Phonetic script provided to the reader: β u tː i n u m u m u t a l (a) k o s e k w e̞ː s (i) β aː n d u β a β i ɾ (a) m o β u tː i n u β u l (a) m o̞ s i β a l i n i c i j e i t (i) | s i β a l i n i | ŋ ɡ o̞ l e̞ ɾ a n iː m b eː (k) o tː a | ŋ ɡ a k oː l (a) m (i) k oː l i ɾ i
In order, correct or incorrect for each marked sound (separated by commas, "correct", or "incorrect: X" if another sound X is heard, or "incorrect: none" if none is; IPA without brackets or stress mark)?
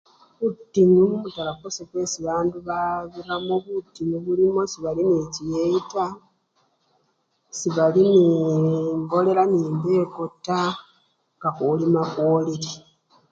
correct, correct, correct, incorrect: i, incorrect: a, correct, incorrect: i, incorrect: a